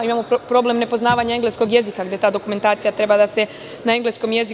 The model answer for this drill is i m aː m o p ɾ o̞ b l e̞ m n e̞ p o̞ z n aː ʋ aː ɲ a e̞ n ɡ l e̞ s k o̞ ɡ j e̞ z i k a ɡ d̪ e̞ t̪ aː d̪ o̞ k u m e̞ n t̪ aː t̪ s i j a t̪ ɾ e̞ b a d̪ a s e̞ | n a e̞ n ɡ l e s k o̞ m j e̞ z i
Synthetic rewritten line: i m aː m o p ɾ o̞ b l e̞ m n e̞ p o̞ z n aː ʋ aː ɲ a e̞ ŋ ɡ l e̞ s k o̞ ɡ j e̞ z i k a ɡ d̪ e̞ t̪ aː d̪ o̞ k u m e̞ n t̪ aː t̪ s i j a t̪ ɾ e̞ b a d̪ a s e̞ | n a e̞ ŋ ɡ l e s k o̞ m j e̞ z i